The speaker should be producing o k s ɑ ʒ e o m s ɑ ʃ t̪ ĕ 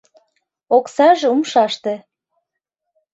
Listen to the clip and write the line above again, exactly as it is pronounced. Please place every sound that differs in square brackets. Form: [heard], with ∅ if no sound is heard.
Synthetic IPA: o k s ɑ ʒ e [u] m [ʃ] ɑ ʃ t̪ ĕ

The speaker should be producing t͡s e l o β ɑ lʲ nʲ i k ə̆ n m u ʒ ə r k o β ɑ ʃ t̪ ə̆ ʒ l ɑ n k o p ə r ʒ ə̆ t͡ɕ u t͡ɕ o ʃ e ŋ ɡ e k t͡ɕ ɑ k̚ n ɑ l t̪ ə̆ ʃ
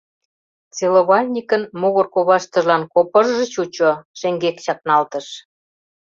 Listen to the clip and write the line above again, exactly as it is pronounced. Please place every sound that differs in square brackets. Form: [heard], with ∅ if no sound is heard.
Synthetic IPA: t͡s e l o β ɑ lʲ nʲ i k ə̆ n m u [ɣ] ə r k o β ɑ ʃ t̪ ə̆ ʒ l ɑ n k o p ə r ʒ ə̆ t͡ɕ u t͡ɕ o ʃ e ŋ ɡ e k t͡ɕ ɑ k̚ n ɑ l t̪ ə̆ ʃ

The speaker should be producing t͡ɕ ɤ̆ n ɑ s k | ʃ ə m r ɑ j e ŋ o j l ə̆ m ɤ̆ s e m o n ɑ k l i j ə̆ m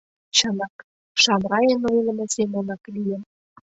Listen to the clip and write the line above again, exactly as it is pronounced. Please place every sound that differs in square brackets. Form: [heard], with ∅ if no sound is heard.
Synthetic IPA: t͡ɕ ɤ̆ n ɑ [∅] k | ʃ [ɑ] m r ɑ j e [n] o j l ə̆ m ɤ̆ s e m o n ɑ k l i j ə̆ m

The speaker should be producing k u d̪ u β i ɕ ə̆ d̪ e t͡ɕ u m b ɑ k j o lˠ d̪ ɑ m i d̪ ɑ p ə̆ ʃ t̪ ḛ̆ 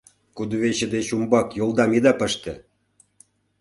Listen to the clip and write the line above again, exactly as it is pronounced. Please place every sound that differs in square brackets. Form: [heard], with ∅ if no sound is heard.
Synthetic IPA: k u d̪ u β [e] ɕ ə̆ d̪ e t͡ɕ u m b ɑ k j o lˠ d̪ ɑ m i d̪ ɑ p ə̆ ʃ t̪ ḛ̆

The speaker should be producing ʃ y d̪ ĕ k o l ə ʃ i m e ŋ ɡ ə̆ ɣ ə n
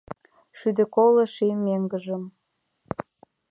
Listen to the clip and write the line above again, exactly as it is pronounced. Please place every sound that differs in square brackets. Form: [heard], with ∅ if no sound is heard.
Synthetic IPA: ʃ y d̪ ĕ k o l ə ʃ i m e ŋ ɡ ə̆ [ʒ] ə [m]

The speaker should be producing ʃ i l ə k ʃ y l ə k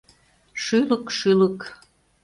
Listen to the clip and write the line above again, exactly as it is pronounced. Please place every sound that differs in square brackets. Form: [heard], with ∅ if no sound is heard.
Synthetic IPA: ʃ [y] l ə k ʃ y l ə k

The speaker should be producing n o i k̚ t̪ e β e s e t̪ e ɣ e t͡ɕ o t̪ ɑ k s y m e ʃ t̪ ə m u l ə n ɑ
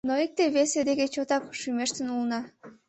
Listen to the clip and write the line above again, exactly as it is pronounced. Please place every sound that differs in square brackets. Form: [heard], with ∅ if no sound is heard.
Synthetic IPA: n o i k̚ t̪ e β e s e [d̪] e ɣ e t͡ɕ o t̪ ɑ k [ʃ] y m e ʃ t̪ ə [n] u l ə n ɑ

